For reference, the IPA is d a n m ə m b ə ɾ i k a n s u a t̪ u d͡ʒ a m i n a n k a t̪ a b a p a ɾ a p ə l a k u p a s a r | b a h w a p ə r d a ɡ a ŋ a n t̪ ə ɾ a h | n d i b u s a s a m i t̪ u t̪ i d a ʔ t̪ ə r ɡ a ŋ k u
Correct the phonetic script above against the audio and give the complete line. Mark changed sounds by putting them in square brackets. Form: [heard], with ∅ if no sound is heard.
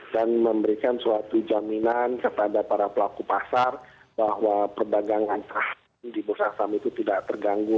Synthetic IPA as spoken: d a n m ə m b ə ɾ i k a n s u a t̪ u d͡ʒ a m i n a n k a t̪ a [d] a p a ɾ a p ə l a k u p a s a r | b a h w a p ə r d a ɡ a ŋ a n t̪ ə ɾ a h | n d i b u s a s a m i t̪ u t̪ i d a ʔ t̪ ə r ɡ a ŋ [ɡ] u

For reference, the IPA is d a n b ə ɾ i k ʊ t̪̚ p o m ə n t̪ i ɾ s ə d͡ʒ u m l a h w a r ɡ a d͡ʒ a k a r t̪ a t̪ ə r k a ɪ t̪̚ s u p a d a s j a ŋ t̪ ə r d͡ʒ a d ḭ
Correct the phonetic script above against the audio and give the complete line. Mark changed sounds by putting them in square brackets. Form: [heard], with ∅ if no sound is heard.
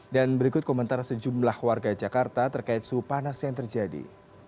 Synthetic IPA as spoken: d a n b ə ɾ i k ʊ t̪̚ [k] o m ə n t̪ [a] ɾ s ə d͡ʒ u m l a h w a r ɡ a d͡ʒ a k a r t̪ a t̪ ə r k a ɪ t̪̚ s u p a [n] a s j a ŋ t̪ ə r d͡ʒ a d ḭ

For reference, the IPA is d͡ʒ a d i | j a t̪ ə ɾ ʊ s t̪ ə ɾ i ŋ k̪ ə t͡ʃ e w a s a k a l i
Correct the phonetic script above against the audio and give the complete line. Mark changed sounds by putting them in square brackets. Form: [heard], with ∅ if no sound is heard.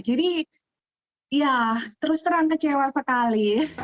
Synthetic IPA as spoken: d͡ʒ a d i | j a t̪ ə ɾ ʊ s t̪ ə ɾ [a] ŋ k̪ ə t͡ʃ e w a s [ə] k a l i

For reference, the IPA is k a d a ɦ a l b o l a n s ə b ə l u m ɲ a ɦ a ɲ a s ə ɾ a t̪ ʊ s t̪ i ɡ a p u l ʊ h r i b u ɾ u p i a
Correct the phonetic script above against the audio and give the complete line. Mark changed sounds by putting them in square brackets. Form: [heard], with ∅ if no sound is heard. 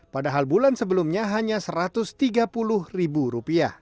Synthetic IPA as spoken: [p] a d a ɦ a l b [u] l a n s ə b ə l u m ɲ a ɦ a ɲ a s ə ɾ a t̪ ʊ s t̪ i ɡ a p u l ʊ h r i b u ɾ u p i a

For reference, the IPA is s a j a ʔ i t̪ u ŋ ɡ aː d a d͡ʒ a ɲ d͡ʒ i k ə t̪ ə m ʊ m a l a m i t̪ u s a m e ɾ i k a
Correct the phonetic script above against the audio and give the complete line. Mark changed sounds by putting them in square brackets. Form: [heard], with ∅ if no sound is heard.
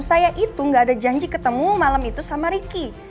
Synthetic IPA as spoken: s a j a ʔ i t̪ u ŋ ɡ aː d a d͡ʒ a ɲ d͡ʒ i k ə t̪ ə m [u] m a l a m i t̪ u s a m [a] ɾ i k [i]

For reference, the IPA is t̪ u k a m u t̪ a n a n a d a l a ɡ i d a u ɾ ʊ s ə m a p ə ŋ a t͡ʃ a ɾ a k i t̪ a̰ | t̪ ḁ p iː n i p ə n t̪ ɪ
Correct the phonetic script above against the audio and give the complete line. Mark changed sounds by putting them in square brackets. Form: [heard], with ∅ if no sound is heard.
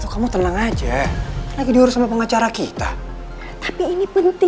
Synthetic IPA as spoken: t̪ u k a m u t̪ [ə] n a [ŋ] a [d͡ʒ] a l a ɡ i d [i] u ɾ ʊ s [a] m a p ə ŋ a t͡ʃ a ɾ a k i t̪ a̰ | t̪ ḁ p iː n i p ə n t̪ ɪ

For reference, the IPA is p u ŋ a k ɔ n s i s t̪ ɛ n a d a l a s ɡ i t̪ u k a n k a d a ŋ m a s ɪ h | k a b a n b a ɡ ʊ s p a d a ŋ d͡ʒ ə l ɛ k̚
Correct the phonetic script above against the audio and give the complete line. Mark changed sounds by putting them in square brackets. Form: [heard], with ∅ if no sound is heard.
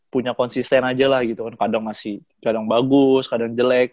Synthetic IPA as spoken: p u [ɲ] a k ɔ n s i s t̪ ɛ n a [d͡ʒ] a l a [h] ɡ i t̪ u k a n k a d a ŋ m a s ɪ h | k a [d] a [ŋ] b a ɡ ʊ s [k] a d a ŋ d͡ʒ ə l ɛ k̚

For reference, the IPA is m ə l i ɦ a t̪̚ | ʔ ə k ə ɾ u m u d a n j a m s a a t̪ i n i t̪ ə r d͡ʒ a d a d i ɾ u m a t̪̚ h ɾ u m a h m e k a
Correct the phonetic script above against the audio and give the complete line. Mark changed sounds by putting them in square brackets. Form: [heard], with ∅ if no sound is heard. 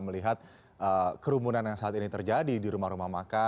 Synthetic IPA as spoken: m ə l i ɦ a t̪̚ | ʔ ə k ə ɾ u m u [n] a n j a [ŋ] s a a t̪ i n i t̪ ə r d͡ʒ a d [i] d i ɾ u m a [∅] h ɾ u m a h m [a] k a

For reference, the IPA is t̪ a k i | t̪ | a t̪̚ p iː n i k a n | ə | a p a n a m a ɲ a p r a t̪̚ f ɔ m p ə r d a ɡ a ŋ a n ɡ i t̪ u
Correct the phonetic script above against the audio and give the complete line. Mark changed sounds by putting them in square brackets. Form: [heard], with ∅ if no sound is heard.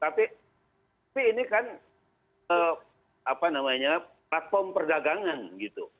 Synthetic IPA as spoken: t̪ a [p] i | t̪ | a [∅] p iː n i k a n | ə | a p a n a m a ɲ a p [l] a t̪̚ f ɔ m p ə r d a ɡ a ŋ a n ɡ i t̪ u

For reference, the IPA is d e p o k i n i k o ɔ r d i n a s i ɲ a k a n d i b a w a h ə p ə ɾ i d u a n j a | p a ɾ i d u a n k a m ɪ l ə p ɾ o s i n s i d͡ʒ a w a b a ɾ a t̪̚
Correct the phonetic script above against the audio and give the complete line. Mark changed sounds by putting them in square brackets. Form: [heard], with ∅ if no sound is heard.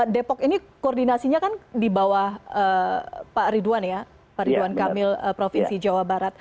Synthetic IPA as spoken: d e p [ɔ] k i n i k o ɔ r d i n a s i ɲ a k a n d i b a w a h ə p [a] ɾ i d u a n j a | p a ɾ i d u a n k a m ɪ l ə p ɾ o [f] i n s i d͡ʒ a w a b a ɾ a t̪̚

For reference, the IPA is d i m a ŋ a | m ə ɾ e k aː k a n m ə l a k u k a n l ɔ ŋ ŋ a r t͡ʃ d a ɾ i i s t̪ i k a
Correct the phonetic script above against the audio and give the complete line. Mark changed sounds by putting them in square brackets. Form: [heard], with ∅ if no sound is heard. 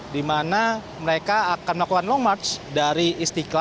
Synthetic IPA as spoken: d i m a [n] a | m ə ɾ e k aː k a n m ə l a k u k a n l ɔ ŋ [m] a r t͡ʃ d a ɾ i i s t̪ i k a

